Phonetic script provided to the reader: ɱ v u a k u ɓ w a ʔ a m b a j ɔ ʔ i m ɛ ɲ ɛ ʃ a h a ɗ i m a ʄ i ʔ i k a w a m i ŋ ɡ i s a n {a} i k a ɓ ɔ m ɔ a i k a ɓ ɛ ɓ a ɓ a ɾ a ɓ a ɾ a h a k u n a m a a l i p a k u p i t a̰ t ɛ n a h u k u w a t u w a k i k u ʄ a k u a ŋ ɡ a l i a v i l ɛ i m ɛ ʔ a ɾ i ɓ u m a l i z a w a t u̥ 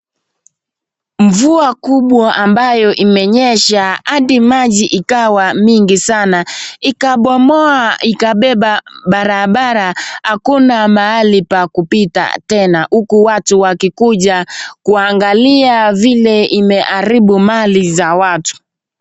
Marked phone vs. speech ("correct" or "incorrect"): correct